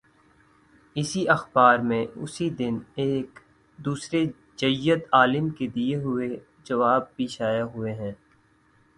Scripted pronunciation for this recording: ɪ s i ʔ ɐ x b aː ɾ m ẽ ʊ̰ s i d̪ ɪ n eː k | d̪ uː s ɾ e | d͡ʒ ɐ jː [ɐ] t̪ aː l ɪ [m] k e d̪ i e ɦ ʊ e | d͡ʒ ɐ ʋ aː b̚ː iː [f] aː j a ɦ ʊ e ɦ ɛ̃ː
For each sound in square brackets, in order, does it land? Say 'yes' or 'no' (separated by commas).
no, yes, no